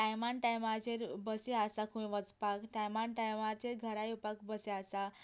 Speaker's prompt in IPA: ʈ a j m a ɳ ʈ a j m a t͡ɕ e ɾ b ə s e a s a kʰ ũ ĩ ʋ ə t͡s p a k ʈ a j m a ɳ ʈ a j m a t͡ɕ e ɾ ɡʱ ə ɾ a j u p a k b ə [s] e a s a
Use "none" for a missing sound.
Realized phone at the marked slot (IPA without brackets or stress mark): s